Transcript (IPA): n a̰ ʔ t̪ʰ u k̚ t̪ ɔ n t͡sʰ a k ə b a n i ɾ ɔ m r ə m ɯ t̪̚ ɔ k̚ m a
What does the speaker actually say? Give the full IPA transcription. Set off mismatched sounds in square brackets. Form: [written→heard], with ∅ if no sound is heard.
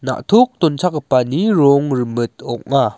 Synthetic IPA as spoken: n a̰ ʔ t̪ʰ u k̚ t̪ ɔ n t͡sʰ a k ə [b→p] a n i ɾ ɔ [m→ŋ] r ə m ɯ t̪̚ ɔ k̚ [m→ŋ] a

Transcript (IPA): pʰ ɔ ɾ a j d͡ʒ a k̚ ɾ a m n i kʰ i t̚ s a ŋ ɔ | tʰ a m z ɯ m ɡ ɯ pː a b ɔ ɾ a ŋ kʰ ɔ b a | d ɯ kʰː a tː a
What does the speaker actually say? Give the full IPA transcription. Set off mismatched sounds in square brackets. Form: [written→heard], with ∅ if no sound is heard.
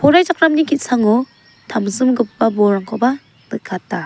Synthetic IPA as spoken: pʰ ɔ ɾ a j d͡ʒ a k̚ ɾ a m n i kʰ i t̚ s a ŋ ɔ | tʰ a m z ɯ m ɡ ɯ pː a b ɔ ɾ a ŋ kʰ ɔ b a | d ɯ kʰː a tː a

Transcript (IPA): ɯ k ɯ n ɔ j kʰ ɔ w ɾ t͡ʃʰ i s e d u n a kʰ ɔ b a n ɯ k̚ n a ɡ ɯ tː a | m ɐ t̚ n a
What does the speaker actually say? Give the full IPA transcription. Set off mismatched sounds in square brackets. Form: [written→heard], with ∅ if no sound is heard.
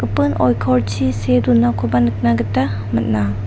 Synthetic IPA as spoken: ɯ [k→p] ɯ n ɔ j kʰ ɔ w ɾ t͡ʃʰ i s e d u n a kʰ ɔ b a n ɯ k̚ n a ɡ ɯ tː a | m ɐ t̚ n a

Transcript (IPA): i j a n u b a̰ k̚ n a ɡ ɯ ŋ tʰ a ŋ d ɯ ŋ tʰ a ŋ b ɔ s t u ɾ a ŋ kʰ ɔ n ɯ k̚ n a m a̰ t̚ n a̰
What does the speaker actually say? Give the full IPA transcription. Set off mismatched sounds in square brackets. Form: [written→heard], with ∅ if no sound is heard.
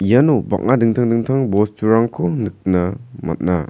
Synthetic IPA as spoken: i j a n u b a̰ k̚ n a [ɡ→d] ɯ ŋ tʰ a ŋ d ɯ ŋ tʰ a ŋ b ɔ s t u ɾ a ŋ kʰ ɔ n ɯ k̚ n a m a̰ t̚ n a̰

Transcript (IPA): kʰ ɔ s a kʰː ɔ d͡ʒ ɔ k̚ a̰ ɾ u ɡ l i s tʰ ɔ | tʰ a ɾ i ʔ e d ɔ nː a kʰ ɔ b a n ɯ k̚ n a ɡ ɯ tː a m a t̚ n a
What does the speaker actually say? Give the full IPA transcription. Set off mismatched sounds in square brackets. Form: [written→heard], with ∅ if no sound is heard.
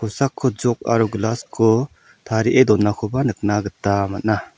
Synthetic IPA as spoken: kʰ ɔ s a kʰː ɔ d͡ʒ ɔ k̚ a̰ ɾ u ɡ l [i→a] s [tʰ→kʰ] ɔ | tʰ a ɾ i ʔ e d ɔ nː a kʰ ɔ b a n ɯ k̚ n a ɡ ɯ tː a m a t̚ n a

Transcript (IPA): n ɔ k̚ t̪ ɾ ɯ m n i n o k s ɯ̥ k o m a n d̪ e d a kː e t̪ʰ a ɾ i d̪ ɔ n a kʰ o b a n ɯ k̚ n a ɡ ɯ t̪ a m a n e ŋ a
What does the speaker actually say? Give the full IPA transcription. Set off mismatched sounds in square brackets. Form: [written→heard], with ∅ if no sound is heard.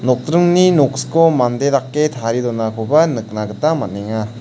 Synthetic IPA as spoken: n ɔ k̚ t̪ ɾ ɯ [m→ŋ] n i n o k s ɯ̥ k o m a n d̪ e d a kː e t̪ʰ a ɾ i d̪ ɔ n a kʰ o b a n ɯ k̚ n a ɡ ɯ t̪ a m a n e ŋ a

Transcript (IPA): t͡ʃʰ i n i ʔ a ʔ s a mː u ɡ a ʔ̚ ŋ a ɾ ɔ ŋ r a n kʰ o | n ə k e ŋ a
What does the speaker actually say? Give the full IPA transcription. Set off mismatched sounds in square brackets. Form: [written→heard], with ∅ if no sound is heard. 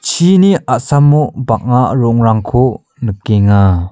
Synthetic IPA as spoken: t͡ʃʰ i n i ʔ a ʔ s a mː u [ɡ→b] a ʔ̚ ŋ a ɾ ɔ ŋ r a [n→ŋ] kʰ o | n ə k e ŋ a

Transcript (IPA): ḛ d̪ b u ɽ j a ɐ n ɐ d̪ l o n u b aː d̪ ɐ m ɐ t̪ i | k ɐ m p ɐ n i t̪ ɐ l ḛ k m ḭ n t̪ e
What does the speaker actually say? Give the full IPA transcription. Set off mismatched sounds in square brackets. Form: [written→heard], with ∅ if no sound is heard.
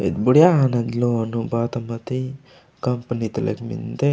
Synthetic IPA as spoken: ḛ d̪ b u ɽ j a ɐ n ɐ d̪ l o n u b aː [d̪→t̪] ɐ m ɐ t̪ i | k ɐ m p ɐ n i t̪ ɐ l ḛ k m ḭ n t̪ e

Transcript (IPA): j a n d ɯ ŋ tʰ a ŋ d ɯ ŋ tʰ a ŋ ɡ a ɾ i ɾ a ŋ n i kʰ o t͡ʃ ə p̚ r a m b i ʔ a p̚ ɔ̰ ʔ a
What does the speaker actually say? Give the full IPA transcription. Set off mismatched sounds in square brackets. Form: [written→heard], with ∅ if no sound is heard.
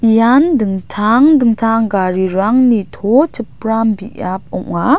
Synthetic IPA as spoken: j a n d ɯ ŋ tʰ a ŋ d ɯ ŋ tʰ a ŋ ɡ a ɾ i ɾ a ŋ n i [kʰ→tʰ] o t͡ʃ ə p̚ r a m b i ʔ a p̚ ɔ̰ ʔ a

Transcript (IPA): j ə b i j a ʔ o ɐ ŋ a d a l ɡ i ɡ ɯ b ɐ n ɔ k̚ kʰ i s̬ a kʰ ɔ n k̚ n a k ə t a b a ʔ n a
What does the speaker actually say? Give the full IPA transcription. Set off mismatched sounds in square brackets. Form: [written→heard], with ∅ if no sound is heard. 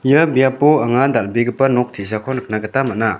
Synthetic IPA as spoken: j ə b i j a [ʔ→p] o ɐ ŋ a d a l [ɡ→b] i ɡ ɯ [b→p] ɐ n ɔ k̚ [kʰ→tʰ] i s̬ a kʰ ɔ n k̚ n a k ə t a [b→m] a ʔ n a

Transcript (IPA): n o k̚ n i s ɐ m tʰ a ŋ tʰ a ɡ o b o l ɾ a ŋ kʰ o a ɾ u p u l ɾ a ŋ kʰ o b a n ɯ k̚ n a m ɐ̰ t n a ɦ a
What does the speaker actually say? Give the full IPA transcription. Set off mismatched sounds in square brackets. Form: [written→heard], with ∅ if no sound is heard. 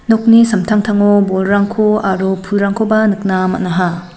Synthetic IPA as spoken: n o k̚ n i s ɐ m tʰ a ŋ tʰ a [ɡ→ŋ] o b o l ɾ a ŋ kʰ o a ɾ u [p→pʰ] u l ɾ a ŋ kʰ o b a n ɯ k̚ n a m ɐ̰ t n a ɦ a

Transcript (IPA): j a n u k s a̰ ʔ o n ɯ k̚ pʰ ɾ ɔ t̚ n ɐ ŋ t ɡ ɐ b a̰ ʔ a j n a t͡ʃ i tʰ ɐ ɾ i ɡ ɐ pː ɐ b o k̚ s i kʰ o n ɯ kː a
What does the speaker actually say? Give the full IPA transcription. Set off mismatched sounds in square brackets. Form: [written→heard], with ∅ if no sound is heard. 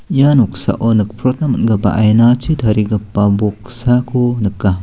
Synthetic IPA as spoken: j a n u k s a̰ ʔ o n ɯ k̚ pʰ ɾ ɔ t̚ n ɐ [ŋ→m] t ɡ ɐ b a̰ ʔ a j n a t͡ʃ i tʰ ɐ ɾ i ɡ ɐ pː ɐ b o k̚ s [i→a] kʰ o n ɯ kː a

